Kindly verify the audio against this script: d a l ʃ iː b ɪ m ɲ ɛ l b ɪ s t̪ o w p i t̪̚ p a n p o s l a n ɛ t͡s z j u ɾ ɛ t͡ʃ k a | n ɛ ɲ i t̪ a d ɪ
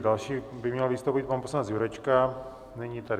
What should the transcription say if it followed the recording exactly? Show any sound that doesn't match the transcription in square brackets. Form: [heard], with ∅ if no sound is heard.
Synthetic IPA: d a l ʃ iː b ɪ m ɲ ɛ l [v] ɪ s t̪ o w p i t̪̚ p a n p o s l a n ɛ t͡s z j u ɾ ɛ t͡ʃ k a | n ɛ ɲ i t̪ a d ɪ

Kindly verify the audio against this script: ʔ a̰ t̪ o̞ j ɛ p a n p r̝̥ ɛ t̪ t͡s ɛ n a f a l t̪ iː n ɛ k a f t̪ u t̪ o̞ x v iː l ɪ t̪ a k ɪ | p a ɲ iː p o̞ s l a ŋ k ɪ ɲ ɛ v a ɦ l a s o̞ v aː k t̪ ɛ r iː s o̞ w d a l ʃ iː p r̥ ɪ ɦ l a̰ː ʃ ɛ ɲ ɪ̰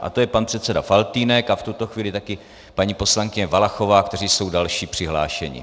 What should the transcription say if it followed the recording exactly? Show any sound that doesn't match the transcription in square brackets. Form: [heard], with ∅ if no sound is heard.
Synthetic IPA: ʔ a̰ t̪ o̞ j ɛ p a n p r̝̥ ɛ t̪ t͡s ɛ [d] a f a l t̪ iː n ɛ k a f t̪ u t̪ o̞ x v iː l ɪ t̪ a k ɪ | p a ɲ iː p o̞ s l a ŋ k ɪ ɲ ɛ v a [∅] l a [x] o̞ v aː k t̪ ɛ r iː s o̞ w d a l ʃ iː p r̥ ɪ ɦ l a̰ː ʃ ɛ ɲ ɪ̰

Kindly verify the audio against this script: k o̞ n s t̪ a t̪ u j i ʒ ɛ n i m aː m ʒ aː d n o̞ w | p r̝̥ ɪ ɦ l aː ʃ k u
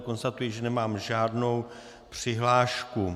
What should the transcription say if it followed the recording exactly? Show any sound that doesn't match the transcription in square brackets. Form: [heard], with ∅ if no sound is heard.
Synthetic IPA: k o̞ n s t̪ a t̪ u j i ʒ ɛ n [ɛ] m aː m ʒ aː d n o̞ w | p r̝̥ ɪ ɦ l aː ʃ k u

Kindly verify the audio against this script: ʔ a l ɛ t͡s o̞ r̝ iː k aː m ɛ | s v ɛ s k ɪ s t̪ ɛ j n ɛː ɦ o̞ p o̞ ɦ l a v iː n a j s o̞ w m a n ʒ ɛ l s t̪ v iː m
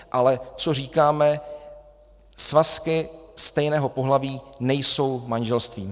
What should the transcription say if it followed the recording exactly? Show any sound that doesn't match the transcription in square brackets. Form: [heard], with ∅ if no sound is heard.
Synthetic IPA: ʔ a l ɛ t͡s o̞ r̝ iː k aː m ɛ | s v [a] s k ɪ s t̪ ɛ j n ɛː ɦ o̞ p o̞ ɦ l a v iː n [ɛ] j s o̞ w m a n ʒ ɛ l s t̪ v iː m

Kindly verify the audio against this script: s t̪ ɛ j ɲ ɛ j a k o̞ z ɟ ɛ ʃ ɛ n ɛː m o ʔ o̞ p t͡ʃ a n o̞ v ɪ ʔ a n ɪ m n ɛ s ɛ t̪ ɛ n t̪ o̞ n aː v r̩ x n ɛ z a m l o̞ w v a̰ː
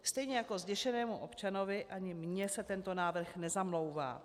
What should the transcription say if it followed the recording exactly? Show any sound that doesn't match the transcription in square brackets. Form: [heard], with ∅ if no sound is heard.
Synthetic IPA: s t̪ ɛ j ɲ ɛ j a k o̞ z ɟ ɛ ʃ ɛ n ɛː m [u] ʔ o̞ p t͡ʃ a n o̞ v ɪ ʔ a [ɲ] ɪ m [ɲ] ɛ s ɛ t̪ ɛ n t̪ o̞ n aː v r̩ x n ɛ z a m l o̞ w v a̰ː

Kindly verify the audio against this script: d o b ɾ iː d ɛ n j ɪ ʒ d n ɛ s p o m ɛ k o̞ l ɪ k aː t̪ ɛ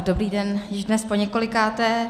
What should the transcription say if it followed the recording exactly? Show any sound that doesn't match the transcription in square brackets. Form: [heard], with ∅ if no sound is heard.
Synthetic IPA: d o b ɾ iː d ɛ n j ɪ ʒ d n ɛ s p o [ɲ] ɛ k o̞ l ɪ k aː t̪ ɛ

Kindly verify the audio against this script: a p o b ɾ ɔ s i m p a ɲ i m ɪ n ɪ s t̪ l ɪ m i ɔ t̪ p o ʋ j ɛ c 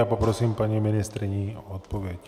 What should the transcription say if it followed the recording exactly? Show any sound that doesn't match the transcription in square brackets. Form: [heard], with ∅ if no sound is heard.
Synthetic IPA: a p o [p] ɾ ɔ s i m p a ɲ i m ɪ n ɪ s t̪ [ɾ] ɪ [ɲ] i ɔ t̪ p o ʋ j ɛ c

